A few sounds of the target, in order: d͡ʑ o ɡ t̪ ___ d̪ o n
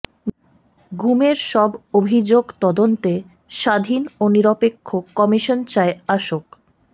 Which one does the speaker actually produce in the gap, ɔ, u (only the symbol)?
ɔ